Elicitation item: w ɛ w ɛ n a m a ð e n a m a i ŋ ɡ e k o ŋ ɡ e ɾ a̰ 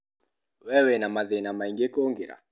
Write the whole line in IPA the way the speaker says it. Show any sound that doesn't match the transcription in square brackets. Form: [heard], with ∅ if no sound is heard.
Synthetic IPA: w ɛ w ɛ n a m a ð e n a m a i ŋ ɡ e k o ŋ ɡ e ɾ a̰